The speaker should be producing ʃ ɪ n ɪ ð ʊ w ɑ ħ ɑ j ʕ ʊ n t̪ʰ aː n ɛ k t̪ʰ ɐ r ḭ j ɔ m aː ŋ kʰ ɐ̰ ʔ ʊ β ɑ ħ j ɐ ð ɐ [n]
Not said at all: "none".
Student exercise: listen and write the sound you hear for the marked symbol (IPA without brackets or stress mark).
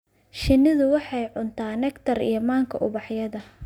none